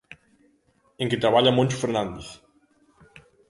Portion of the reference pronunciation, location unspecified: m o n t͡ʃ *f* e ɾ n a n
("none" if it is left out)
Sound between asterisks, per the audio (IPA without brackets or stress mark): f